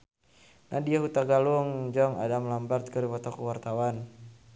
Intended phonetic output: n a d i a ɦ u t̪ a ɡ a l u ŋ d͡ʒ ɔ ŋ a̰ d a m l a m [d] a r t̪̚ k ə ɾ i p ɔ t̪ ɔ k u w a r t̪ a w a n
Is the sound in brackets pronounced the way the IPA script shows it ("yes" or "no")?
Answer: no